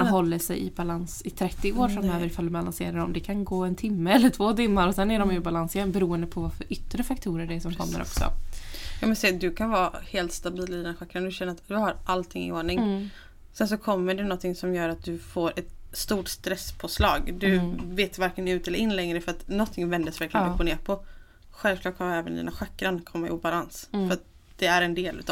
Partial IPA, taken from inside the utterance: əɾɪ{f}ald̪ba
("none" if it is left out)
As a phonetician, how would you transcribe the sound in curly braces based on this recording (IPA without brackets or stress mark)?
f